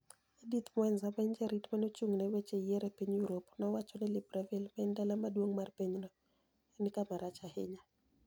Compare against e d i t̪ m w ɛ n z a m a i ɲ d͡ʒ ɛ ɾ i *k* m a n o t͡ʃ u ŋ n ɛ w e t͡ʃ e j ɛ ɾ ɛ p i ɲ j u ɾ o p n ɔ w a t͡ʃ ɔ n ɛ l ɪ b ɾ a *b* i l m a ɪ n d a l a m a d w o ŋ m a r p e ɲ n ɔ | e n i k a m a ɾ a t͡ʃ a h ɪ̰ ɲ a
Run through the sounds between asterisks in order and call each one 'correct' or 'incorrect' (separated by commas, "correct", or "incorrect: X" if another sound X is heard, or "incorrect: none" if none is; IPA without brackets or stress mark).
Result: incorrect: t, incorrect: v